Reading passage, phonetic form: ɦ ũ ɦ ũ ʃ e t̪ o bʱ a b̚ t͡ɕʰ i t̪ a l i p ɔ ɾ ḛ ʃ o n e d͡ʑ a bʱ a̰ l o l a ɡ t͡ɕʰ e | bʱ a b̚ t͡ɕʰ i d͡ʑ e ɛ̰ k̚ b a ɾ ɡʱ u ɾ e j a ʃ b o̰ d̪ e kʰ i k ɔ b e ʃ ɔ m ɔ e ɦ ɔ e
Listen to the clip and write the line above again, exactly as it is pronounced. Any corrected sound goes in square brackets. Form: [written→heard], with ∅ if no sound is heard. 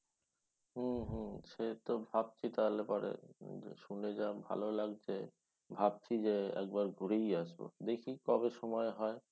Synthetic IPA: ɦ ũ ɦ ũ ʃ e t̪ o bʱ a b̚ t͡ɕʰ i t̪ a l [i→e] p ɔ ɾ ḛ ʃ [o→u] n e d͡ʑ a bʱ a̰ l o l a ɡ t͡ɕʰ e | bʱ a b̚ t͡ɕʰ i d͡ʑ e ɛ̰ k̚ b a ɾ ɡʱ u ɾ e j a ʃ b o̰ d̪ e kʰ i k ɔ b e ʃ ɔ m ɔ e ɦ ɔ e